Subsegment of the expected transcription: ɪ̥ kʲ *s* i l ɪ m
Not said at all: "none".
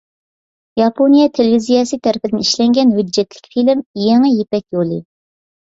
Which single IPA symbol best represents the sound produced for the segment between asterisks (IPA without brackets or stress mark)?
f